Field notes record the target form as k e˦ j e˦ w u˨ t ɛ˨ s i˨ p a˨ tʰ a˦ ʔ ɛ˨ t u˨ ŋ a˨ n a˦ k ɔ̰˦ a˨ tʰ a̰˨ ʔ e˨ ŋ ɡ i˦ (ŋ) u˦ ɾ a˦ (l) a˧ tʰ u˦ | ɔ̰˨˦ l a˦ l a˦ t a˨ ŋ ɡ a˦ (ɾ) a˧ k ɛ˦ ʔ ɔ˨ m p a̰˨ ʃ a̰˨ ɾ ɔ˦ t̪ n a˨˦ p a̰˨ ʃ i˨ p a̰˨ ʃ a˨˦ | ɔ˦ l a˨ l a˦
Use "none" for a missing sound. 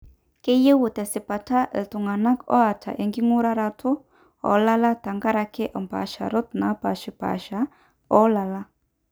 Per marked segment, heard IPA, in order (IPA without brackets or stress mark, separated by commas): ŋ, ɾ, ɾ